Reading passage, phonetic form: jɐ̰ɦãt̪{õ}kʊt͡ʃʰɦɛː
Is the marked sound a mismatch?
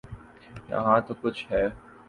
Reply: yes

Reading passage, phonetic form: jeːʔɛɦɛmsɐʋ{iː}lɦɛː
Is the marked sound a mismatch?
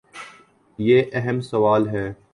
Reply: yes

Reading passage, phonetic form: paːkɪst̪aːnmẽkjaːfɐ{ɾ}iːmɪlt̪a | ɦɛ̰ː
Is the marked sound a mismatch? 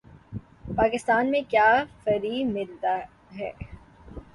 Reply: no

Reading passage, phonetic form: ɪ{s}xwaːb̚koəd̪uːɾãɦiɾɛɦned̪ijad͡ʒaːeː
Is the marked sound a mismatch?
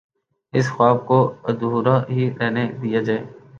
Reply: no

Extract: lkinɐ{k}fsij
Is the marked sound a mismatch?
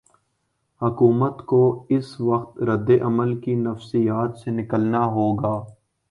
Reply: yes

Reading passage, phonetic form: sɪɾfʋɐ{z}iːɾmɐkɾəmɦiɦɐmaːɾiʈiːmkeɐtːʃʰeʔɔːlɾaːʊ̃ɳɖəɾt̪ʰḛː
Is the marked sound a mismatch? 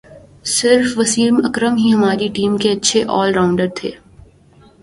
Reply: yes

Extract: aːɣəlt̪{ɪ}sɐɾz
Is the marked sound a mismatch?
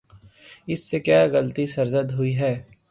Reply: yes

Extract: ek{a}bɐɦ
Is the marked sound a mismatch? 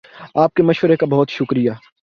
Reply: no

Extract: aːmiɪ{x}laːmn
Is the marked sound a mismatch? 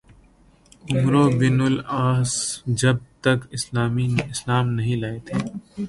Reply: yes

